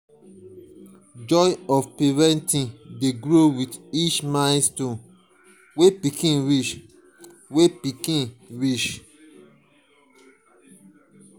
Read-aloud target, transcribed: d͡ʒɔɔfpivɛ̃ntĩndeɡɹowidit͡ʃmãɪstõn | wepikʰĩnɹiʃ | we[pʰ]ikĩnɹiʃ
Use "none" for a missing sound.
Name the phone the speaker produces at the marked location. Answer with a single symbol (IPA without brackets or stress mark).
p